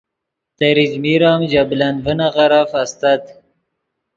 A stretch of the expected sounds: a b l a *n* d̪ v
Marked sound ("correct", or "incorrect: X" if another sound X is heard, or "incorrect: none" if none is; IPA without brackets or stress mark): correct